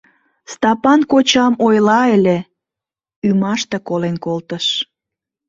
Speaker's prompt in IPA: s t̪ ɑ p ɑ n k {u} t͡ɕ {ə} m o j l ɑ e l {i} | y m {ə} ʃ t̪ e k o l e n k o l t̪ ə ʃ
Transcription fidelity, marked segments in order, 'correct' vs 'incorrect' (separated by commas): incorrect, incorrect, incorrect, incorrect